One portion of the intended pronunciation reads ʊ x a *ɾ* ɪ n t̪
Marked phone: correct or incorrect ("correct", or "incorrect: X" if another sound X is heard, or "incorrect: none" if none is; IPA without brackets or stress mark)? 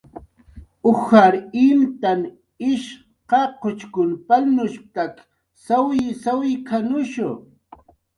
correct